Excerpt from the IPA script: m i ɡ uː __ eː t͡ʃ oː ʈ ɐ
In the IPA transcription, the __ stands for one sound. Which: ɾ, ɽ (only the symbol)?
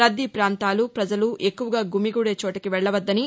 ɽ